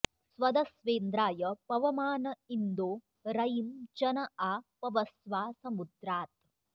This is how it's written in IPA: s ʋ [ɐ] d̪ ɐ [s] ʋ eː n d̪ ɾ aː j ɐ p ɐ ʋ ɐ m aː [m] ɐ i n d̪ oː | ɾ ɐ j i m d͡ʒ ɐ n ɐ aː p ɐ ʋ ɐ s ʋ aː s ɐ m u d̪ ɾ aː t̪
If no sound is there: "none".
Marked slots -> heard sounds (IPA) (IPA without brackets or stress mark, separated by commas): ɐ, s, n